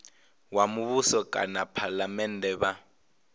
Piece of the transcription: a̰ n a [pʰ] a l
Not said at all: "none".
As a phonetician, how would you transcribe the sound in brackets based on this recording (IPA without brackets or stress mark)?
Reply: pʰ